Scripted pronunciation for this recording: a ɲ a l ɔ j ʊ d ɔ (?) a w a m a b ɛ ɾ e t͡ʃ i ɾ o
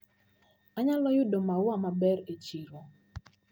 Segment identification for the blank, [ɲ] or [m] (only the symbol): m